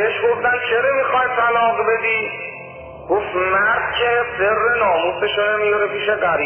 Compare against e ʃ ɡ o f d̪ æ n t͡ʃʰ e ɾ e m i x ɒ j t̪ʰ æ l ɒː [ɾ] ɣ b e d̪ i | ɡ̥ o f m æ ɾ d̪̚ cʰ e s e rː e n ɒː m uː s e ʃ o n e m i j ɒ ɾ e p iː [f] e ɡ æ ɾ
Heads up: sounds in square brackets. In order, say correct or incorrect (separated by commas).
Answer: incorrect, incorrect